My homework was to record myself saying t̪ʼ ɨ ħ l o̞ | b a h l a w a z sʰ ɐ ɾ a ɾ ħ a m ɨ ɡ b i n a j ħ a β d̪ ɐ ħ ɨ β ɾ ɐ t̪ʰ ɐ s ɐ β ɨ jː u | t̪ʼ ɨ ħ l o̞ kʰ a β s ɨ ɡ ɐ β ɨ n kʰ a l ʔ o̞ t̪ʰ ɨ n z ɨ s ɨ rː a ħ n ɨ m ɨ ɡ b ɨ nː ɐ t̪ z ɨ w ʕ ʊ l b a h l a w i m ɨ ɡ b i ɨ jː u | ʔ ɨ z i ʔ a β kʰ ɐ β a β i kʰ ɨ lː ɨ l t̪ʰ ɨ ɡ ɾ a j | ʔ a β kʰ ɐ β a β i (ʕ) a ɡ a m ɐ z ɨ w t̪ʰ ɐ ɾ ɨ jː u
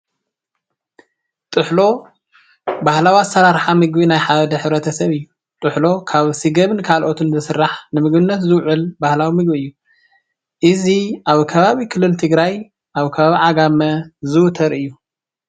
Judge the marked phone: correct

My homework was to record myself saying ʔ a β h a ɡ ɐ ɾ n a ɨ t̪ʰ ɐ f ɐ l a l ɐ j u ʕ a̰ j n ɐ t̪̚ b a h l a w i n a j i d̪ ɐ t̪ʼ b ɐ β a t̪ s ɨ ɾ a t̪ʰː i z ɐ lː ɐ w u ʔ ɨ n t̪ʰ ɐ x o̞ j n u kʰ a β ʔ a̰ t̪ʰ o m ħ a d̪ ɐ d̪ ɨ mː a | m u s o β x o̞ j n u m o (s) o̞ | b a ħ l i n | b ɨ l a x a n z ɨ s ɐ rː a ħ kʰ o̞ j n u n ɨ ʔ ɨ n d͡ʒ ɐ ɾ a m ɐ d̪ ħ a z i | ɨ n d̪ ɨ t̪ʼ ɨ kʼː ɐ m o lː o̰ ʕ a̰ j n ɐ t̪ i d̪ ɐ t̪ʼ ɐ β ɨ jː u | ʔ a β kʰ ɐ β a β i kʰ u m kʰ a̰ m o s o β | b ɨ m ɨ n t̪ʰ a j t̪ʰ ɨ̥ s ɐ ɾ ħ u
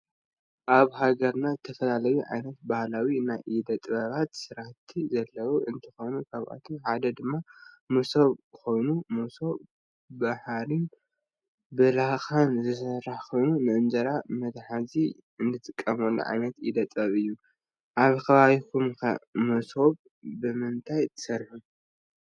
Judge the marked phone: correct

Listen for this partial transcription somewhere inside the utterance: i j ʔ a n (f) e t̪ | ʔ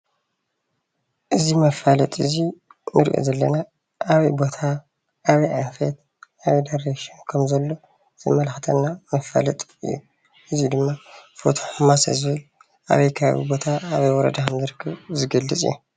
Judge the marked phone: correct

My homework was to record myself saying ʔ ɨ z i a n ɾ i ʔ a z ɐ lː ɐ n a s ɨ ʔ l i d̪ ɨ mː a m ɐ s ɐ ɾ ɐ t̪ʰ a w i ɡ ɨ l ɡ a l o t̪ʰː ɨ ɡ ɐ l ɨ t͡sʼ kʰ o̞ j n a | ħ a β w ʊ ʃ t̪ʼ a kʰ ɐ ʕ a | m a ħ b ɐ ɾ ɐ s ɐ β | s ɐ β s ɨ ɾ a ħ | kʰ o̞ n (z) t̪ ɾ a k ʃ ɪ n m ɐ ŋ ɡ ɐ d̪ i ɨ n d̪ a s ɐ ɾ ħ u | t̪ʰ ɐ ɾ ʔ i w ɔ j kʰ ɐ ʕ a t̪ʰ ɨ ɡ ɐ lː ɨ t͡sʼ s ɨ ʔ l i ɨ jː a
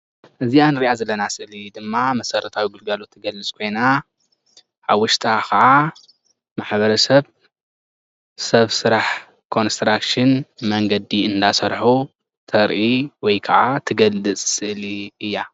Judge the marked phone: incorrect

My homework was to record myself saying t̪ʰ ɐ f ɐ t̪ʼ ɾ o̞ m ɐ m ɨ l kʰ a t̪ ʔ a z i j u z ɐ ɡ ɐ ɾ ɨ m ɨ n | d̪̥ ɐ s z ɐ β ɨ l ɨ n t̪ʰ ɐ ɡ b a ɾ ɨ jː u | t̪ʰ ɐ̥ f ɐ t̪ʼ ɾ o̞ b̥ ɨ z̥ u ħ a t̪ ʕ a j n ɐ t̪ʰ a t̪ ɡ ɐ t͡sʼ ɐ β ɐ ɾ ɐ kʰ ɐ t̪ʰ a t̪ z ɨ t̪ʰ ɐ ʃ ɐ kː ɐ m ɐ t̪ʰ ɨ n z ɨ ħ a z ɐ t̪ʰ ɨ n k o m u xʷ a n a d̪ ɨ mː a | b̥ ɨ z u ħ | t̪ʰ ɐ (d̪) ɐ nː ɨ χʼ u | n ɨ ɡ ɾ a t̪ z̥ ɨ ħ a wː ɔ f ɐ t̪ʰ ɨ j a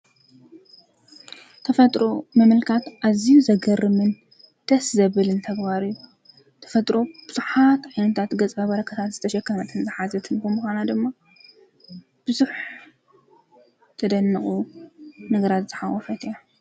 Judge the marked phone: correct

